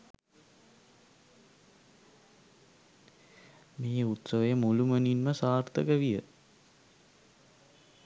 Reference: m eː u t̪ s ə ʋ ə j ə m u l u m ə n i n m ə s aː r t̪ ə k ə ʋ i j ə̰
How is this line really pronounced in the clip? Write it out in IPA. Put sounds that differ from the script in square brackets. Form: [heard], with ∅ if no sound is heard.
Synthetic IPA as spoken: m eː u t̪ s ə ʋ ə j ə m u l u m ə n i n m ə s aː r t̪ ə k ə ʋ i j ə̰